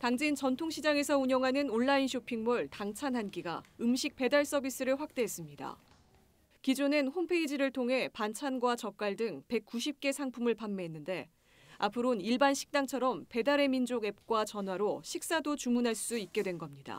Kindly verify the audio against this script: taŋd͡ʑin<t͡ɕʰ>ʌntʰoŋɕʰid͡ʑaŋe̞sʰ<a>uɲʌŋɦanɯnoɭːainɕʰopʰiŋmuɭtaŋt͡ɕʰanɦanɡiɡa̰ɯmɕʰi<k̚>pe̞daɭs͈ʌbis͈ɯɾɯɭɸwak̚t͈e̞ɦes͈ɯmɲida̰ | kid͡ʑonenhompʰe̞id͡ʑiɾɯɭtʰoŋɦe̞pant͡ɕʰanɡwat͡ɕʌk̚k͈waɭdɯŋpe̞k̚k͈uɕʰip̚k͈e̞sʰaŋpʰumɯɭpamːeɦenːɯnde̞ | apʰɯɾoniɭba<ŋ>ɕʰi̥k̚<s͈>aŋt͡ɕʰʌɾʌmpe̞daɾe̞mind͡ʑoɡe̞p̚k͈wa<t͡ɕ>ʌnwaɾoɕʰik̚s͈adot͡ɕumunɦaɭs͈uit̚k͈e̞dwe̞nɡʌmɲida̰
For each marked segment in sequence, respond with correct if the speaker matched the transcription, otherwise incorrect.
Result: incorrect: t͡ɕ, incorrect: ʌ, correct, incorrect: n, incorrect: t͈, correct

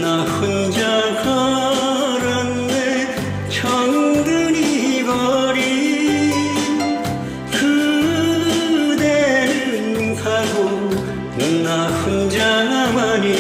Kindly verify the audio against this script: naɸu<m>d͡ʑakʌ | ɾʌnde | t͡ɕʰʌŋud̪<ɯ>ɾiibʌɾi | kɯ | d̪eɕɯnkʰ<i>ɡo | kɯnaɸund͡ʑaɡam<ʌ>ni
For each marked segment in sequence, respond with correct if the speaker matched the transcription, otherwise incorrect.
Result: incorrect: n, correct, incorrect: a, incorrect: a

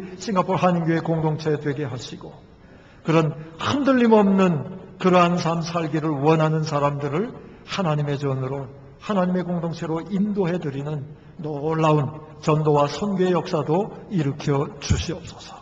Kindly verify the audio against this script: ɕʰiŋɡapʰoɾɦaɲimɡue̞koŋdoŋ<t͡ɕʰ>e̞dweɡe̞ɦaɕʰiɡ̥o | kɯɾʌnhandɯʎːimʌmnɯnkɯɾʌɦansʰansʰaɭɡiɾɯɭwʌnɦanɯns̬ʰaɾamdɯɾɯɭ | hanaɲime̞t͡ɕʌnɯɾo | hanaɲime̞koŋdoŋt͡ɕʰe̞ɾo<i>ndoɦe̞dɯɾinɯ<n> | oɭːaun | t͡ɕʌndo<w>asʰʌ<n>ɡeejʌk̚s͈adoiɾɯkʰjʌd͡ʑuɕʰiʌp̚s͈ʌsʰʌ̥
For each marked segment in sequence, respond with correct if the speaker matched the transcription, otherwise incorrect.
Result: correct, correct, incorrect: nː, correct, correct

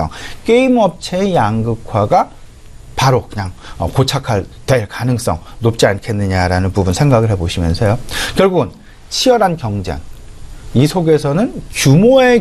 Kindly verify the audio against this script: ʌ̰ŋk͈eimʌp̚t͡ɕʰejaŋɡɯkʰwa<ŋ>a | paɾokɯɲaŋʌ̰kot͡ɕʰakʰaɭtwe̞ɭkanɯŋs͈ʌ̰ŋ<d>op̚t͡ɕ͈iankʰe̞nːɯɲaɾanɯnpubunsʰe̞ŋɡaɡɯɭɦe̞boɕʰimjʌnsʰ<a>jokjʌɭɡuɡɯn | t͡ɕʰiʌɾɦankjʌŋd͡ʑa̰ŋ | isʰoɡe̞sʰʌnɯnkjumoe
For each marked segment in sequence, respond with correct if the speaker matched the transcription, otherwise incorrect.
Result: incorrect: ɡ, incorrect: n, incorrect: ʌ

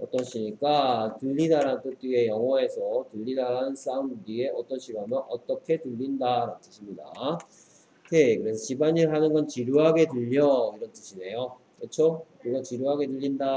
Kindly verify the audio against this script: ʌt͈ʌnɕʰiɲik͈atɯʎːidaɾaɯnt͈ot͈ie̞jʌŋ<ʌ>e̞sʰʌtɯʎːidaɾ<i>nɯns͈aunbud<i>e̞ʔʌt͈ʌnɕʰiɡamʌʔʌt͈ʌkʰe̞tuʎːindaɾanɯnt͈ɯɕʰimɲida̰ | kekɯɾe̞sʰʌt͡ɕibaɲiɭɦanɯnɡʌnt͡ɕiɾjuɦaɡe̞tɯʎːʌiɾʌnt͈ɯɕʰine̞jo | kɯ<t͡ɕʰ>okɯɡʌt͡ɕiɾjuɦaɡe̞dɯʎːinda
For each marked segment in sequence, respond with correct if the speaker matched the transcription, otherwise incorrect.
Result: correct, incorrect: a, correct, correct

